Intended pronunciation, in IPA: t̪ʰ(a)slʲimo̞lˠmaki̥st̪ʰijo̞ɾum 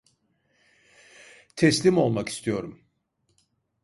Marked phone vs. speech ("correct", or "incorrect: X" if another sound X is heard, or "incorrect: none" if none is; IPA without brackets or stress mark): incorrect: ɛ